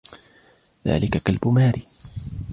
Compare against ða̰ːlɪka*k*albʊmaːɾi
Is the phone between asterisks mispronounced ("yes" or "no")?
no